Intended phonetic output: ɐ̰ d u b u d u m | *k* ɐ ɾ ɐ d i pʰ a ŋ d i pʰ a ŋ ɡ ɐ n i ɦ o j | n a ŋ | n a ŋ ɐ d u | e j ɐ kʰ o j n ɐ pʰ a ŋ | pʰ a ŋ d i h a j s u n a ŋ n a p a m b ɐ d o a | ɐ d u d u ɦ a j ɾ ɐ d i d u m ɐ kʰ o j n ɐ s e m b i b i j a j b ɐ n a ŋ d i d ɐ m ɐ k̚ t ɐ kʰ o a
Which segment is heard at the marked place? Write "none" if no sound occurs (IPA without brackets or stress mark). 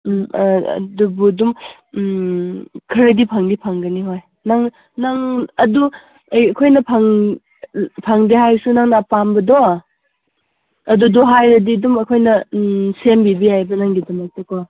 kʰ